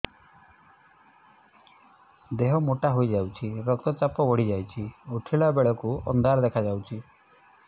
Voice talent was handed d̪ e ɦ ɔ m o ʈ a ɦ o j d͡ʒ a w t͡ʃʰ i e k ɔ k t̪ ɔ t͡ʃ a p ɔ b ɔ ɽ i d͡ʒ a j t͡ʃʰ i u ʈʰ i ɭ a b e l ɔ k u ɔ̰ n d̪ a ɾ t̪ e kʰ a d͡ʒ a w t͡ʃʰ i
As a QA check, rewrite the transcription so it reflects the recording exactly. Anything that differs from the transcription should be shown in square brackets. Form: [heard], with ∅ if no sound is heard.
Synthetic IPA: d̪ e ɦ ɔ m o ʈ a ɦ o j d͡ʒ a w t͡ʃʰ i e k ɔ k t̪ ɔ t͡ʃ a p ɔ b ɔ ɽ i d͡ʒ a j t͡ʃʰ i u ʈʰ i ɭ a b e [ɭ] ɔ k u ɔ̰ n d̪ a ɾ [d̪] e kʰ a d͡ʒ a w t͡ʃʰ i